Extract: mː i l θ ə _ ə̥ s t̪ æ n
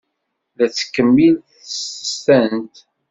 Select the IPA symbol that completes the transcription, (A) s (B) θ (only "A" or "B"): A